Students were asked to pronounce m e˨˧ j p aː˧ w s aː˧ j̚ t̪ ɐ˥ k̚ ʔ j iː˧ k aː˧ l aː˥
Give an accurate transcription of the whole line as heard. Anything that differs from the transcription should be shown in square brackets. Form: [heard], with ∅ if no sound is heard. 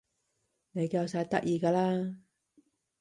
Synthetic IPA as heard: [n] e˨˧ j [k] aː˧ w s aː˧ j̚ t̪ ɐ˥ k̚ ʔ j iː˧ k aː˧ l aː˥

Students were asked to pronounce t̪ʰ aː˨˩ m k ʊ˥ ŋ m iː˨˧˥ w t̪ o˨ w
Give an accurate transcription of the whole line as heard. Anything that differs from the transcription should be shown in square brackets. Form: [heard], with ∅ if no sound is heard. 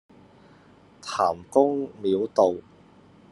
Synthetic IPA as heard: t̪ʰ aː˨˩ m k ʊ˥ ŋ m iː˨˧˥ w t̪ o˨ w

